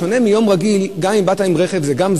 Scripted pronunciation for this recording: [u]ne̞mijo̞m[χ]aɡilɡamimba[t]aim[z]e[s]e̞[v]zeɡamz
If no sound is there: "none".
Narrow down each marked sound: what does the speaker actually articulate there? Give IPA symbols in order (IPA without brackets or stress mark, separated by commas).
o, ʁ, t, ʁ, χ, v